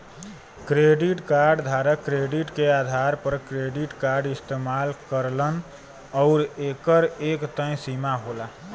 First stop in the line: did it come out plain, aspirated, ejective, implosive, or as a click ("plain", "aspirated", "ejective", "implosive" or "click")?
plain